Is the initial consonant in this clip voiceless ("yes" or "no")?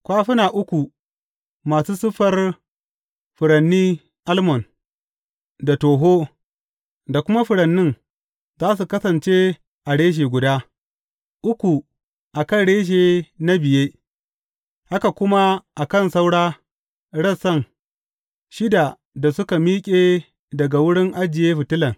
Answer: yes